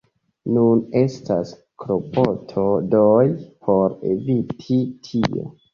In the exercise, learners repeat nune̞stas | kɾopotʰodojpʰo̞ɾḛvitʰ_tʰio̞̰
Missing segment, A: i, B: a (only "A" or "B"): A